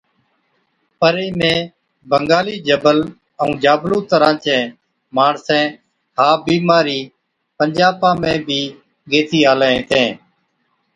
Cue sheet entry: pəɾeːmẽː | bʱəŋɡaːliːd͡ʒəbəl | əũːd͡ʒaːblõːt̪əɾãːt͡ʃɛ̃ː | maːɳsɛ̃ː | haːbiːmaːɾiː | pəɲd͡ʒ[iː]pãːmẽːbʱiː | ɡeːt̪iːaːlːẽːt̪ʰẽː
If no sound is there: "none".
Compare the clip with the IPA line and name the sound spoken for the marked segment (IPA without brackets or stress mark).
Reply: aː